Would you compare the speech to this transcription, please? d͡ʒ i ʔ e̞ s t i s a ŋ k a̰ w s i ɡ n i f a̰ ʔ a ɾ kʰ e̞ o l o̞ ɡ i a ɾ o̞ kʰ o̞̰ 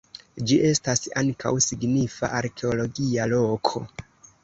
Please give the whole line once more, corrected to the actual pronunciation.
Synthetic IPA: d͡ʒ i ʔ e̞ s t a s a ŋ k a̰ w s i ɡ n i f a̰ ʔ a ɾ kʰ e̞ o l o̞ ɡ i a l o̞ kʰ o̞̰